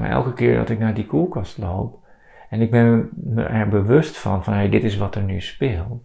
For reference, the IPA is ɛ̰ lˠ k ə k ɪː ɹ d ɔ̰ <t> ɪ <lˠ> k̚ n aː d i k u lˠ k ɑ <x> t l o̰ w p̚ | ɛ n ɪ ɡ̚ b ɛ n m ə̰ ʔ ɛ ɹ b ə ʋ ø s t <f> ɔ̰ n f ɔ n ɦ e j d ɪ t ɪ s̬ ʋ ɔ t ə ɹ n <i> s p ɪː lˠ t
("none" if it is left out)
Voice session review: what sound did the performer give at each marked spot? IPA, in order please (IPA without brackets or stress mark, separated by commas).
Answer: t, none, s, f, y